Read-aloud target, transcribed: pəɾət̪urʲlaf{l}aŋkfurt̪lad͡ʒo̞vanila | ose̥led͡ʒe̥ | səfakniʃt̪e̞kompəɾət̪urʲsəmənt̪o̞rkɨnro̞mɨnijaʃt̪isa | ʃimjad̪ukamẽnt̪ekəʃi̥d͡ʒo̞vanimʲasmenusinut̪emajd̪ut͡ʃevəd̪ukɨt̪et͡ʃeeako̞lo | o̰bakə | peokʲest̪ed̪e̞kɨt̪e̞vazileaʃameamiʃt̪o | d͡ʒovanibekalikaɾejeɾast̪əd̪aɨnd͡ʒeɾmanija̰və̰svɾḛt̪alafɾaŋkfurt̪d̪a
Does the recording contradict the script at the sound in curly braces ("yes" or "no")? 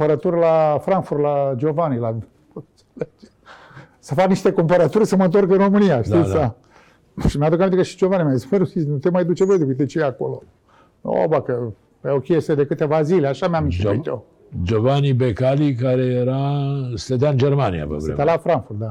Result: yes